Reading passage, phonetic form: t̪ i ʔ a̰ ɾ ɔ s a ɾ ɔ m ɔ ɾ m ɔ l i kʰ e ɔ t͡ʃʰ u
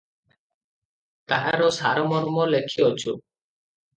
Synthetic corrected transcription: t̪ a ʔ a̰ ɾ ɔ s a ɾ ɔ m ɔ ɾ m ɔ l e kʰ i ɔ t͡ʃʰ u